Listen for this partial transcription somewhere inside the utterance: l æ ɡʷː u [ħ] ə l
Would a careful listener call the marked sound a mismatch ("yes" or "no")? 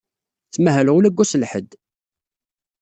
yes